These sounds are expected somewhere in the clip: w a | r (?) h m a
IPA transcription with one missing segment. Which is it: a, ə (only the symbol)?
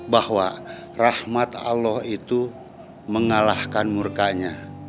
a